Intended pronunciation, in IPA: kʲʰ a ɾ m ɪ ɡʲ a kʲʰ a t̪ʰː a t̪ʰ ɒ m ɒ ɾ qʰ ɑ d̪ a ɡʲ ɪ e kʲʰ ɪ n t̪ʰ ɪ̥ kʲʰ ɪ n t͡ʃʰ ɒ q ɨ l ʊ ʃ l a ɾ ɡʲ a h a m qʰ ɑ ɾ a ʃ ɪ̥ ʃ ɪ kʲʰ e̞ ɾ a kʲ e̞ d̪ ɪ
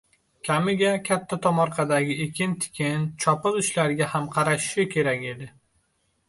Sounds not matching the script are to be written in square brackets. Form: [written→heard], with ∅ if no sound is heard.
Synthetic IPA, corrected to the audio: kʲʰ a [ɾ→∅] m ɪ ɡʲ a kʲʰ a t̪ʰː a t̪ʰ ɒ m ɒ ɾ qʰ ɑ d̪ a ɡʲ ɪ e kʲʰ ɪ n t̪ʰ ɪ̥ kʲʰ ɪ n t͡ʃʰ ɒ [q→p] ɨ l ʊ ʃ l a ɾ ɡʲ a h a m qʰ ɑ ɾ a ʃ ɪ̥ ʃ ɪ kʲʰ e̞ ɾ a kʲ e̞ d̪ ɪ